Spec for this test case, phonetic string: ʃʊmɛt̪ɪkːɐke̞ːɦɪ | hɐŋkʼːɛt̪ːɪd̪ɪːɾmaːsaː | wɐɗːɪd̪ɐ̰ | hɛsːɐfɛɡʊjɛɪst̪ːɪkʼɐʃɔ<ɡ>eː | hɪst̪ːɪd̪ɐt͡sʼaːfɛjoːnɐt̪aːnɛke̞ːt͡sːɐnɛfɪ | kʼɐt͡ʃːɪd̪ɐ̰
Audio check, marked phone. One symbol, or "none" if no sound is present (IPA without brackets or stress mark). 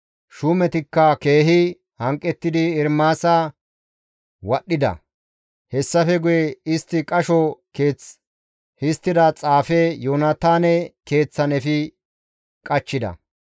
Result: k